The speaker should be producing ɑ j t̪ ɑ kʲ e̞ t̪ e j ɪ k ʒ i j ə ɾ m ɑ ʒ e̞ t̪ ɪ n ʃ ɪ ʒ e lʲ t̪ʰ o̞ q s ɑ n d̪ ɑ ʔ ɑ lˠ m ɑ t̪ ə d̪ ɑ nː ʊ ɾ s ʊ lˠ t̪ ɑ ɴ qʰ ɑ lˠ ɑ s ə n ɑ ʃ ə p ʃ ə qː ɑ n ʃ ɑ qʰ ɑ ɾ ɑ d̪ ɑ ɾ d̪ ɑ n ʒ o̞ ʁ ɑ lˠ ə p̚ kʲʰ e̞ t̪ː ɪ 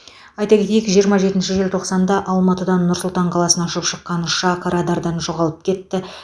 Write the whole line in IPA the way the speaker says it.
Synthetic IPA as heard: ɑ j t̪ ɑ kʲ e̞ t̪ e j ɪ k ʒ i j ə ɾ m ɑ ʒ e̞ t̪ ɪ n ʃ ɪ ʒ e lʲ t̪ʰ o̞ q s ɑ n d̪ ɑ ʔ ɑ lˠ m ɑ t̪ ə d̪ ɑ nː ʊ ɾ s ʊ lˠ t̪ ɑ ɴ qʰ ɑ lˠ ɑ s ə n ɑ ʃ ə p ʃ ə qː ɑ n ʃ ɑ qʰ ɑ ɾ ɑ d̪ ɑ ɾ d̪ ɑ n ʒ o̞ ʁ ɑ lˠ ə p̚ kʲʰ e̞ t̪ː ɪ